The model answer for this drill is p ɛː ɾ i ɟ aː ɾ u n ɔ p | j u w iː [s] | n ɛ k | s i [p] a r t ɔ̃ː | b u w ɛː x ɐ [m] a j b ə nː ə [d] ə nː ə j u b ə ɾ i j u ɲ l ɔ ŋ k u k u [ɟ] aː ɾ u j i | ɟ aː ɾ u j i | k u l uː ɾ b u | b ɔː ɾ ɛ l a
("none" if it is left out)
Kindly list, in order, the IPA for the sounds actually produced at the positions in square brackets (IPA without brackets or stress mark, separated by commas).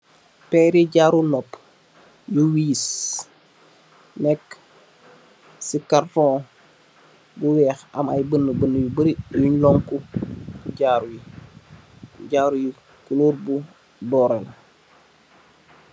s, k, m, b, ɟ